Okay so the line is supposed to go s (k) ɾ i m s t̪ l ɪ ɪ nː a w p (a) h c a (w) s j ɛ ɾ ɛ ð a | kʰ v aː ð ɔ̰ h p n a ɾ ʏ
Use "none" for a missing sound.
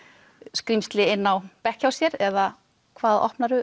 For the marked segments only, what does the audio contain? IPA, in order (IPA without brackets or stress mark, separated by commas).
k, ɛ, w